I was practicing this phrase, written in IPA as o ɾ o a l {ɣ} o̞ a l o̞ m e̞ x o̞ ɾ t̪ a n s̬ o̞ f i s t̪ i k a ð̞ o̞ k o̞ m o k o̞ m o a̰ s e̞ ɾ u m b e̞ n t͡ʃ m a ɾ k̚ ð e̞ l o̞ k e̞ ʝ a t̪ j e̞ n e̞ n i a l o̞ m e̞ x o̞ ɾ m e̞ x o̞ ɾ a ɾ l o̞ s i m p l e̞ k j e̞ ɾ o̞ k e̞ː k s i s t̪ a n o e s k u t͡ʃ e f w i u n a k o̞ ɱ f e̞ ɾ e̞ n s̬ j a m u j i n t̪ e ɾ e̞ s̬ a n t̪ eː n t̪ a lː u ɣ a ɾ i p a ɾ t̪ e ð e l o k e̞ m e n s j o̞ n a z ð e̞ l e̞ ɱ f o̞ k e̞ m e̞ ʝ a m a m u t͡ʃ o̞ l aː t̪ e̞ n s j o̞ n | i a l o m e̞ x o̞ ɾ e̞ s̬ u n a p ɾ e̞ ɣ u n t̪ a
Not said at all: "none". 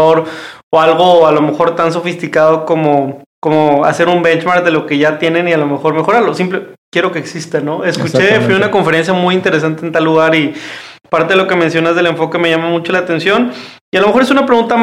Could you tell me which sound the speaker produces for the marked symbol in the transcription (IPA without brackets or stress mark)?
ɣ